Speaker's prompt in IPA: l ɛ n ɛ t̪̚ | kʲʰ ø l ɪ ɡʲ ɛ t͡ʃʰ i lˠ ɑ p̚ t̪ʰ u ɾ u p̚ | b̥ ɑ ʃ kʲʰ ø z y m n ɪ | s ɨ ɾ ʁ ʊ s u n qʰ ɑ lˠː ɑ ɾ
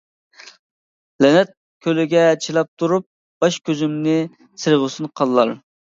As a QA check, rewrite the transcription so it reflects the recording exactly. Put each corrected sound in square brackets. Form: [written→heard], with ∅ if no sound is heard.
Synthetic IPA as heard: l ɛ n ɛ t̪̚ | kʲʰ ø l ɪ ɡʲ ɛ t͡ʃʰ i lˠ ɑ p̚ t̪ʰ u ɾ u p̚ | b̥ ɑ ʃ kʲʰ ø z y m n ɪ | s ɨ ɾ ʁ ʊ s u n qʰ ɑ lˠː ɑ ɾ